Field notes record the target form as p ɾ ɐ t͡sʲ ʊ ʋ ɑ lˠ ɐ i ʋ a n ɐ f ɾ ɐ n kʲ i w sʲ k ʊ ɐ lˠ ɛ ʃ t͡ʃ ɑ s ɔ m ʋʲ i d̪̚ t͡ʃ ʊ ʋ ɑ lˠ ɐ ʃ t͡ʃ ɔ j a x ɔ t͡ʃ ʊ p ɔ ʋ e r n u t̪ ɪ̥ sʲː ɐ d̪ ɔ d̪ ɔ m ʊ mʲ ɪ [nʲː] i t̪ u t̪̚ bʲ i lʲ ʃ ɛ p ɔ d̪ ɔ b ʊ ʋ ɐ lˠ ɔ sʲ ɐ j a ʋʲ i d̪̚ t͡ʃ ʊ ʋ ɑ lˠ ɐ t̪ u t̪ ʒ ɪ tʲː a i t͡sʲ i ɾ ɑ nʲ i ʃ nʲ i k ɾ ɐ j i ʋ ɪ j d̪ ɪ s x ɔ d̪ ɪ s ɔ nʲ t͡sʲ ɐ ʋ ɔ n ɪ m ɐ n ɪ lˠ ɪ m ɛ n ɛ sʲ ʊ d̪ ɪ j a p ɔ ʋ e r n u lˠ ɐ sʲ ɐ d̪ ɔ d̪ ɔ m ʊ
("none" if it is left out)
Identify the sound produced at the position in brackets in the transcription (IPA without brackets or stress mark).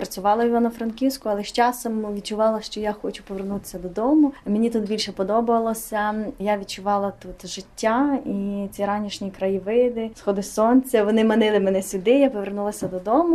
nʲ